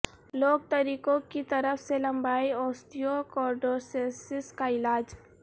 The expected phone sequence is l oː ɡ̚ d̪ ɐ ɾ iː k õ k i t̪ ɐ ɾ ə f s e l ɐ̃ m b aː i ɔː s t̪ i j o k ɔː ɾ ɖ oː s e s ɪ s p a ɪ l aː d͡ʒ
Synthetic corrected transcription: l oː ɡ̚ t̪ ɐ ɾ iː k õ k i t̪ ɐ ɾ ə f s e l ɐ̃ m b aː i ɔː s t̪ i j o k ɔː ɾ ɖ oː s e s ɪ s k a ɪ l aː d͡ʒ